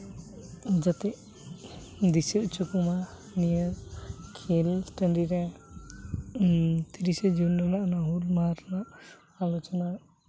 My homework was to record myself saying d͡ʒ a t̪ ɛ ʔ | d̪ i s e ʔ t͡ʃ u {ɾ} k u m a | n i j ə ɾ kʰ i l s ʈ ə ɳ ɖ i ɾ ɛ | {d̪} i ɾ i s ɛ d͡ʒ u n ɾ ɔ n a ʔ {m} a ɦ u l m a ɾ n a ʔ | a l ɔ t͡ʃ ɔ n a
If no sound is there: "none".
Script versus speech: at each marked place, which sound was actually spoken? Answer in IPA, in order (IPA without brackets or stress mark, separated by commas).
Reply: none, t̪, n